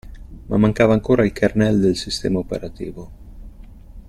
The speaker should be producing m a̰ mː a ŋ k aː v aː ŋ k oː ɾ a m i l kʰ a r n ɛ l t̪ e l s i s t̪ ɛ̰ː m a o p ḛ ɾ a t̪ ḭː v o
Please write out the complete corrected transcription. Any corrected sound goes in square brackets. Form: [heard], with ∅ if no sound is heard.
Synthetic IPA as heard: m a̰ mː a ŋ k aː v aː ŋ k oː ɾ a [∅] i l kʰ a r n ɛ l [d̪] e l s i s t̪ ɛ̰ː m a o p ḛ ɾ a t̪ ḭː v o